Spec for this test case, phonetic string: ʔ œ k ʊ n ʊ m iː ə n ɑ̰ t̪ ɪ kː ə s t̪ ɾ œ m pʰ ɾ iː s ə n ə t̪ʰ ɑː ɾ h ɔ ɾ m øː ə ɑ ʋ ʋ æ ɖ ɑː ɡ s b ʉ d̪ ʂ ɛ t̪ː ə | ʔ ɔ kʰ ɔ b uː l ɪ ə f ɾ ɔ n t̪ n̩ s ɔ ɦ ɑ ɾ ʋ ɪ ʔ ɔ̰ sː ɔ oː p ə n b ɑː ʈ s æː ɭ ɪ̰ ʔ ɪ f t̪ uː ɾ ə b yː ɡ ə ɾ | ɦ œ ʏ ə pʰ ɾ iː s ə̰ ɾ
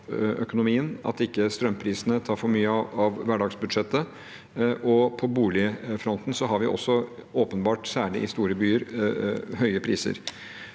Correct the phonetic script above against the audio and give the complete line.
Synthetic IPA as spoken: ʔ œ k ʊ n ʊ m iː ə n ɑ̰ t̪ ɪ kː ə s t̪ ɾ œ m pʰ ɾ iː s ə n ə t̪ʰ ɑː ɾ f ɔ ɾ m yː ə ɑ ʋ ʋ æ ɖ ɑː ɡ s b ʉ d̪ ʂ ɛ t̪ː ə | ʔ ɔ pʰ ɔ b uː l ɪ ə f ɾ ɔ n t̪ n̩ s ɔ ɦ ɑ ɾ ʋ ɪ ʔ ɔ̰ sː ɔ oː p ə n b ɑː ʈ s æː ɭ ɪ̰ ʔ ɪ s t̪ uː ɾ ə b yː ə ɾ | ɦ œ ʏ ə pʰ ɾ iː s ə̰ ɾ